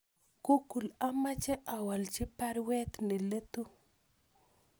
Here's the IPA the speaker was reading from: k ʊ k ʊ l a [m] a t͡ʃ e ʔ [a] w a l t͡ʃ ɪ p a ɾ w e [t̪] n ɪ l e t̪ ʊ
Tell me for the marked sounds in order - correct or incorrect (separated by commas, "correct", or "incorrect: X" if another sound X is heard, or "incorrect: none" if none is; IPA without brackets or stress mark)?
correct, correct, correct